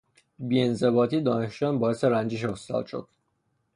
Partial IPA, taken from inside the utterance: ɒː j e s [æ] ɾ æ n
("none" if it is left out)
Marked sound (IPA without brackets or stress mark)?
e